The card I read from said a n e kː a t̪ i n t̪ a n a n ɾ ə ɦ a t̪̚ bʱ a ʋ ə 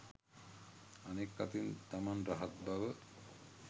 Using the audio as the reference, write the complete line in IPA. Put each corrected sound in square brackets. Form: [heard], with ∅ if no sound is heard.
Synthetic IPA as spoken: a n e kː a t̪ i n t̪ a [m] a n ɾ [a] ɦ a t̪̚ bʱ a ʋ ə